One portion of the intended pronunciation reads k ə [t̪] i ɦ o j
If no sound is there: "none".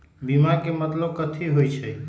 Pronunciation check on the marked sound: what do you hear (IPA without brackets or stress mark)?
t̪ʰ